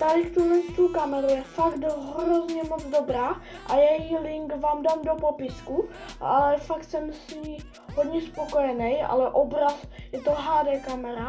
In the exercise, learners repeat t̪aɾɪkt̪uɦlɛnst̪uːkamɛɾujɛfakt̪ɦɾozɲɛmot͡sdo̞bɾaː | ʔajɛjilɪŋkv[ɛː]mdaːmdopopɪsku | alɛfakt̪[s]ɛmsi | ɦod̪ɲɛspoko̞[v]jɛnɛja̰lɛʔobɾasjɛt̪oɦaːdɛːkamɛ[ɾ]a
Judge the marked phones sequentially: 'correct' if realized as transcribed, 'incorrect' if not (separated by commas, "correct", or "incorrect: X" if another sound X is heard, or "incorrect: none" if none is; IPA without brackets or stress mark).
incorrect: aː, correct, incorrect: none, correct